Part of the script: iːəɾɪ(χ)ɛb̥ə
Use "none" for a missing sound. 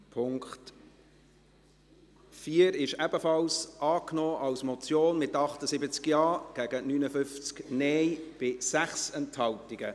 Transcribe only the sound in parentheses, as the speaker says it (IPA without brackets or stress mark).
ʃ